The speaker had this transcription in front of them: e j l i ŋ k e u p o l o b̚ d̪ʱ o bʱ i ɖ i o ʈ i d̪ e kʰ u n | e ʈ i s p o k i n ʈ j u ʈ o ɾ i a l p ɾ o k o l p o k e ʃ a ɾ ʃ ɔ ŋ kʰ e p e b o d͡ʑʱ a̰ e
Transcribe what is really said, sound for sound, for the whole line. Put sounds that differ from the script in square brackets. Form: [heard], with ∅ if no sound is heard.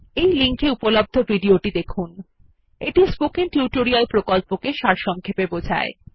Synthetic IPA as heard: e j l i ŋ k e u p o l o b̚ d̪ʱ o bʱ i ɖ i o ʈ i d̪ e kʰ u n | e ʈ i s p o k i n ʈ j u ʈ o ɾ i a l p ɾ o k o l p o k e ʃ a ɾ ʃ ɔ ŋ kʰ e p e b o d͡ʑʱ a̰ e